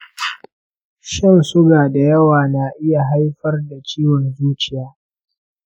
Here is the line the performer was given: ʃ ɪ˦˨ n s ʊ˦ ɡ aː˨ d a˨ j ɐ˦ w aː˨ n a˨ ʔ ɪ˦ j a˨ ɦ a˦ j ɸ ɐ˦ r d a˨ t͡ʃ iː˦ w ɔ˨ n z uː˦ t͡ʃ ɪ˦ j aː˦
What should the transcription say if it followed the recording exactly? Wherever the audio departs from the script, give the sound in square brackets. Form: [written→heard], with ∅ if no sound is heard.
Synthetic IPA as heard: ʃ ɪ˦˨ n s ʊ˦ ɡ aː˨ d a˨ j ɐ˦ w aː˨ n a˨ ʔ ɪ˦ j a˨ ɦ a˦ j ɸ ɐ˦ r d a˨ t͡ʃ iː˦ w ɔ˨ n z uː˦ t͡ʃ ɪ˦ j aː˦